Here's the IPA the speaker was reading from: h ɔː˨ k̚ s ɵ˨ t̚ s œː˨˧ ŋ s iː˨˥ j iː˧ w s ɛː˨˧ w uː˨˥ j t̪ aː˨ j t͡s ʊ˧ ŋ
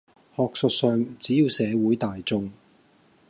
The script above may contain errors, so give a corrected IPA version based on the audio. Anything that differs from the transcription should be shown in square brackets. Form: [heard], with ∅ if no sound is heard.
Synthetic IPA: h ɔː˨ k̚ s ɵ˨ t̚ s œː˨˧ ŋ [t͡s] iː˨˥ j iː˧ w s ɛː˨˧ w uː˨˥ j t̪ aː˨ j t͡s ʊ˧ ŋ